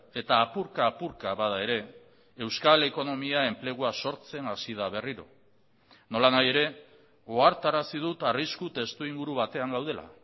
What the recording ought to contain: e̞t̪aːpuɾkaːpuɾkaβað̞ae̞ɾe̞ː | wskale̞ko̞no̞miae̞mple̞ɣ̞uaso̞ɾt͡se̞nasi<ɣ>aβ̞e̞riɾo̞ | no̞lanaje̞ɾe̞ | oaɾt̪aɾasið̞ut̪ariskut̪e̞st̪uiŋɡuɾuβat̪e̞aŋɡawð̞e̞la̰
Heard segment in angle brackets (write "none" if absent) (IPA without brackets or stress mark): ð